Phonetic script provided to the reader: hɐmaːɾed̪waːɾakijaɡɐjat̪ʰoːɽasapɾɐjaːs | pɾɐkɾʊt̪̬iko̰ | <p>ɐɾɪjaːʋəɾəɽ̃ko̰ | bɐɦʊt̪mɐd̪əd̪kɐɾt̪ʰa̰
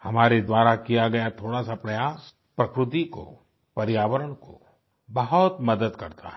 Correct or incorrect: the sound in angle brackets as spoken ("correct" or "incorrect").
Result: correct